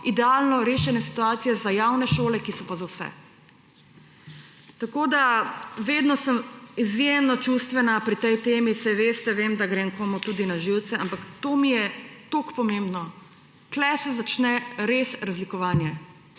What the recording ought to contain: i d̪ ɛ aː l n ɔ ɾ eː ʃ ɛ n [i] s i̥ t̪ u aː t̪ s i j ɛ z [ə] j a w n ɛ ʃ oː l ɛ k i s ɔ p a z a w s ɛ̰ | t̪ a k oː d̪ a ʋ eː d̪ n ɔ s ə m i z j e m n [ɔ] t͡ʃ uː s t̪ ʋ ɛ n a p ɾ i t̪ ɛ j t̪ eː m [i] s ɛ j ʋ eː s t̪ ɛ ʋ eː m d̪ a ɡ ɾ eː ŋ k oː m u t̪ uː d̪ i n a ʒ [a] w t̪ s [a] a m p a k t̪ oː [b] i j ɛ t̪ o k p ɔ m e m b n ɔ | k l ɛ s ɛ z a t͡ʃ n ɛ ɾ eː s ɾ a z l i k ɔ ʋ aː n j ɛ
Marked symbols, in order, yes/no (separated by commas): no, no, yes, yes, no, no, no